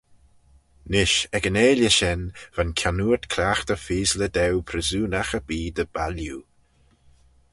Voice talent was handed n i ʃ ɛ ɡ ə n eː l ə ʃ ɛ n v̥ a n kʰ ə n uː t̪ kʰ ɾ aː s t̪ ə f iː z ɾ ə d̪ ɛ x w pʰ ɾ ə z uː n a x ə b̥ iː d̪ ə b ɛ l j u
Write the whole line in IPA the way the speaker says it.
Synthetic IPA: n ɪ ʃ ɛ ɡ ə n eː l ə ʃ ɛ n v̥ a n kʰ a n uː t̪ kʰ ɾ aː x t̪ ə f iː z l ə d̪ ɛ w pʰ ɾ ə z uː n a x ə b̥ iː d̪ ə b a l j u